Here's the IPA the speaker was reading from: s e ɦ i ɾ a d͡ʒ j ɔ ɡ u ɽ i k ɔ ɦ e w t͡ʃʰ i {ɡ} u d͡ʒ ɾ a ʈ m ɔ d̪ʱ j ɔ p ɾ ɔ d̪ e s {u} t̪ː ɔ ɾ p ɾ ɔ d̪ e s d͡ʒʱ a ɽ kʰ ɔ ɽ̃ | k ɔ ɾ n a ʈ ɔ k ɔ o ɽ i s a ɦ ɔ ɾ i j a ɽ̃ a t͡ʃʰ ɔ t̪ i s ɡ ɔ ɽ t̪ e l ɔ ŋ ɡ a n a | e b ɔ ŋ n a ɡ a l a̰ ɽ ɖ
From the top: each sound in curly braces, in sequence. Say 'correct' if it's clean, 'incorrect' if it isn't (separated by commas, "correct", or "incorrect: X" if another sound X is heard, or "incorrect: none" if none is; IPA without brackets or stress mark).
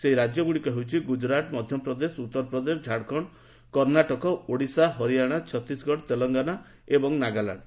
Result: correct, correct